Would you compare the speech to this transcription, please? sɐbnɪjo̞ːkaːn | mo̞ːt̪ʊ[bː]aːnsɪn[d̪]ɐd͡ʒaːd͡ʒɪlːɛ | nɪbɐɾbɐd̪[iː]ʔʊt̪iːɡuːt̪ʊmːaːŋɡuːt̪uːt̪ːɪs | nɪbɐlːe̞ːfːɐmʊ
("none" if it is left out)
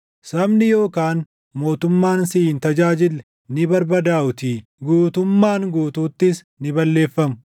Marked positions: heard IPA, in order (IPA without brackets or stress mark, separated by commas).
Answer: mː, t̪, aː